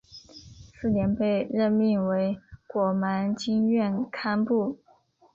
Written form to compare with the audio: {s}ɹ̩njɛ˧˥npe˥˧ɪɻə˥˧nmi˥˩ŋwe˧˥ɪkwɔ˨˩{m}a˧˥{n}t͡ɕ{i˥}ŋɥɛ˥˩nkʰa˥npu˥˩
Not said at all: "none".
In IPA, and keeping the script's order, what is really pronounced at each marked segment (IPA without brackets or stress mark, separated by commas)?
s, m, n, i˥